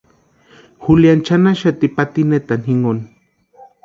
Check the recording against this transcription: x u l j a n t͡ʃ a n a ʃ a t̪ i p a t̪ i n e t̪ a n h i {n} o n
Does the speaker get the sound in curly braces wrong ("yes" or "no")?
yes